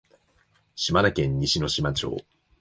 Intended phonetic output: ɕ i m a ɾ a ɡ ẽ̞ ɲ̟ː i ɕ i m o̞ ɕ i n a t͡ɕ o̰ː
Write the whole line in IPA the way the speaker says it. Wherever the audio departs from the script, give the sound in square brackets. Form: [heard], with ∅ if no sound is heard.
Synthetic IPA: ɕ i m a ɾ a [k] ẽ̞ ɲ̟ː i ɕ i [n] o̞ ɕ i [m] a t͡ɕ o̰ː